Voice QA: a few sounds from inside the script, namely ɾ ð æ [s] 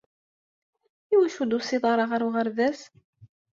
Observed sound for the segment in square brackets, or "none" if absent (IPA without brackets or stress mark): s